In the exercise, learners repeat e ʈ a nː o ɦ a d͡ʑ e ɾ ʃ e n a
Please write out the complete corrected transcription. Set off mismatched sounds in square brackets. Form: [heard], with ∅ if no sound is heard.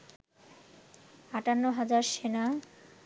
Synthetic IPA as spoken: [a] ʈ a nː o ɦ a d͡ʑ [a] ɾ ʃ e n a